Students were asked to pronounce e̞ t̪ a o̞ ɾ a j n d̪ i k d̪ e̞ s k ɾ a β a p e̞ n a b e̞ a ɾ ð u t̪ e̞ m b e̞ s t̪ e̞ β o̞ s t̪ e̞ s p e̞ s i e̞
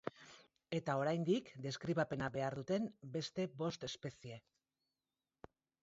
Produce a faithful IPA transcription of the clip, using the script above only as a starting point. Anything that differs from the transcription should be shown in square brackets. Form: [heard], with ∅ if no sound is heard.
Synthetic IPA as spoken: e̞ t̪ a o̞ ɾ a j n d̪ i k d̪ e̞ s k ɾ [i] β a p e̞ n a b e̞ a ɾ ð u t̪ e̞ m b e̞ s t̪ e̞ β o̞ s t̪ e̞ s p e̞ s i e̞

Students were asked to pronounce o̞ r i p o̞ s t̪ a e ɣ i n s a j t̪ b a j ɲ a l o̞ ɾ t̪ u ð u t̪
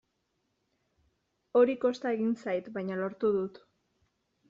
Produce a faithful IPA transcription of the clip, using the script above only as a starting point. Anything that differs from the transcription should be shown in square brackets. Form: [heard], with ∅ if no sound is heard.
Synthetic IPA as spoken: o̞ [ɾ] i [k] o̞ s t̪ a e ɣ i n s a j t̪ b a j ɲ a l o̞ ɾ t̪ u ð u t̪

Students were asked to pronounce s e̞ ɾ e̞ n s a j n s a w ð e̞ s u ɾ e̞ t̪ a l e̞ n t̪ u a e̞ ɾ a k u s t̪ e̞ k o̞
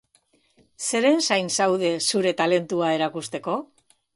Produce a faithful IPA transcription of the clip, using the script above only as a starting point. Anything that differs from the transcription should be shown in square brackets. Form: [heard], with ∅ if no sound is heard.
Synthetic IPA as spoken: s e̞ ɾ e̞ n s a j n s a w ð e̞ s u ɾ e̞ t̪ a l e̞ n t̪ u a e̞ ɾ a k u s t̪ e̞ k o̞

